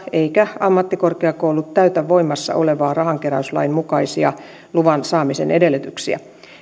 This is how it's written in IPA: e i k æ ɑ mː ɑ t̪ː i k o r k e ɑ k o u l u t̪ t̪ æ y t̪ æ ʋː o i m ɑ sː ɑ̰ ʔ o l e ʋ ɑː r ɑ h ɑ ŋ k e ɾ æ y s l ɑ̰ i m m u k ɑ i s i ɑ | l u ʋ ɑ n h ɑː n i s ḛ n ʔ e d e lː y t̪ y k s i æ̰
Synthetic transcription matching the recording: e i k æ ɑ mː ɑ t̪ː i k o r k e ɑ k o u l u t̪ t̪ æ y t̪ æ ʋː o i m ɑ sː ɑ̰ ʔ o l e ʋ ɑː r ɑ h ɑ ŋ k e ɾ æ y s l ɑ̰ i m m u k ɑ i s i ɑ | l u ʋ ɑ n s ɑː m i s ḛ n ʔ e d e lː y t̪ y k s i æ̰

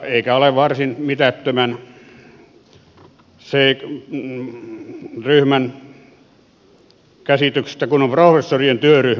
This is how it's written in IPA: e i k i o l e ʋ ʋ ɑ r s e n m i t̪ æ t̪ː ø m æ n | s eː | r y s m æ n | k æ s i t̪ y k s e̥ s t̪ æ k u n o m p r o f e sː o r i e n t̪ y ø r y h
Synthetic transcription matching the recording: e i k æ o l e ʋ ʋ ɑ r s i n m i t̪ æ t̪ː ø m æ n | s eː | r y h m æ n | k æ s i t̪ y k s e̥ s t̪ æ k u n o m p r o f e sː o r i e n t̪ y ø r y h

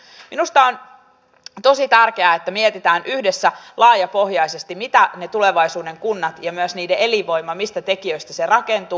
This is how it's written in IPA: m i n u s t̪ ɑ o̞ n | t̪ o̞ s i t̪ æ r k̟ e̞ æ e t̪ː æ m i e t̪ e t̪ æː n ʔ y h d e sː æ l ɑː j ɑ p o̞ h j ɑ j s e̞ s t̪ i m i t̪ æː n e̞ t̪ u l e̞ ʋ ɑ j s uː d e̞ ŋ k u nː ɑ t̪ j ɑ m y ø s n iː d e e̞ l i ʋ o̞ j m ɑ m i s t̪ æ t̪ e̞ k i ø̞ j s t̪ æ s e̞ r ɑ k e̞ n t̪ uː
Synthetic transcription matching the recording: m i n u s t̪ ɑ o̞ n | t̪ o̞ s i t̪ æ r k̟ e̞ æ e t̪ː æ m i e t̪ i t̪ æː n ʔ y h d e sː æ l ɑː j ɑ p o̞ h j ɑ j s e̞ s t̪ i m i t̪ æ n e̞ t̪ u l e̞ ʋ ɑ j s uː d e̞ ŋ k u nː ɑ t̪ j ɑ m y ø s n iː d e e̞ l i ʋ o̞ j m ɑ m i s t̪ æ t̪ e̞ k i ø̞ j s t̪ æ s e̞ r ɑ k e̞ n t̪ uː

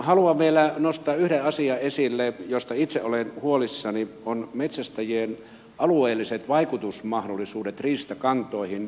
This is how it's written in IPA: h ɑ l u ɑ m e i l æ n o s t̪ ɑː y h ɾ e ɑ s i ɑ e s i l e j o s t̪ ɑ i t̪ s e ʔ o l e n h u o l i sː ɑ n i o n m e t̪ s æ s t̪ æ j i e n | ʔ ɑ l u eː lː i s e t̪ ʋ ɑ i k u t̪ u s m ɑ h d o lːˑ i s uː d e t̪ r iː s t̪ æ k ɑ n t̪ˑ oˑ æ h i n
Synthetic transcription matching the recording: h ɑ l u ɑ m e i l æ n o s t̪ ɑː y h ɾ e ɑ s i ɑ e s i lː e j o s t̪ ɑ i t̪ s e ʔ o l e n h u o l i sː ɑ n i o n m e t̪ s æ s t̪ æ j i e n | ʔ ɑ l u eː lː i s e t̪ ʋ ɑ i k u t̪ u s m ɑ h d o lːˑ i s uː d e t̪ r iː s t̪ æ k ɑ n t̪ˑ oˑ i h i n

